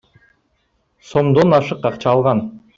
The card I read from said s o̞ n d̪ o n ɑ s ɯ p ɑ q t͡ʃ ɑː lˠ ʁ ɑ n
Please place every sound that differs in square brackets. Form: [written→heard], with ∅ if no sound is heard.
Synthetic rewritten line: s o̞ [n→m] d̪ o n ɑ [s→ʃ] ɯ [p→q] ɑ q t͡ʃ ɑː lˠ ʁ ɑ n